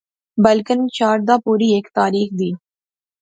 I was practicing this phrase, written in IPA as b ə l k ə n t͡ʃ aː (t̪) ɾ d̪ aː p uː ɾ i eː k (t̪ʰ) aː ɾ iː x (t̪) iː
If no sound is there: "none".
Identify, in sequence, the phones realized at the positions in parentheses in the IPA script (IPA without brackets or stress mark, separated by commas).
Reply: none, t̪, d̪